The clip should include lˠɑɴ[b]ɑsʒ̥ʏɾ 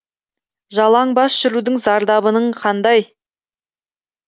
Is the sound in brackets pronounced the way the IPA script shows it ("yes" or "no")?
yes